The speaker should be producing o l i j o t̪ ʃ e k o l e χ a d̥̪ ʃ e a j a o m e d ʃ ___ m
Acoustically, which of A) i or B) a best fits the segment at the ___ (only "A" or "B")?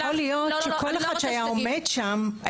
B